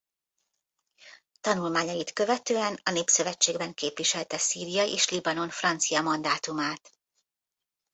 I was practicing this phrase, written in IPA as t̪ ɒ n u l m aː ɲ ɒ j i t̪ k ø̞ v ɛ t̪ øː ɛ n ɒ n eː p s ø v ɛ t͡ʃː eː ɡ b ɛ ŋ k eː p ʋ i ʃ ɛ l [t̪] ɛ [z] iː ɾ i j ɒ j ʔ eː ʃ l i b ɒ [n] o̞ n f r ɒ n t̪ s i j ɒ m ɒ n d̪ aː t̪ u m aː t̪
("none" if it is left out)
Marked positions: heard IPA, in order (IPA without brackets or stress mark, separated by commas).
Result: t̪, s, n